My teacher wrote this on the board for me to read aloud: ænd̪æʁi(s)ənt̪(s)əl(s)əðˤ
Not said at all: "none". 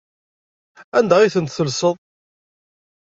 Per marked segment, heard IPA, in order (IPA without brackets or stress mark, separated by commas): θ, θ, s